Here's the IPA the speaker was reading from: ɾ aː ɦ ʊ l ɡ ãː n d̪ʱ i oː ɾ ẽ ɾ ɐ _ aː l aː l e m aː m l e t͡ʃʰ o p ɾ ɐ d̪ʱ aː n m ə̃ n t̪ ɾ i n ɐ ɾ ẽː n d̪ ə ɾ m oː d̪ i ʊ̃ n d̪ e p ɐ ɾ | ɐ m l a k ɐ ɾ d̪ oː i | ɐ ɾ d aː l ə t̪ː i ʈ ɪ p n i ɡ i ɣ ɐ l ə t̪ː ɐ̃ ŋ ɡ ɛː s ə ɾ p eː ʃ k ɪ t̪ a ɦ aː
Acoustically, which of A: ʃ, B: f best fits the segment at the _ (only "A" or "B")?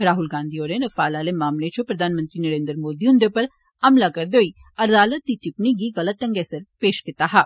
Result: B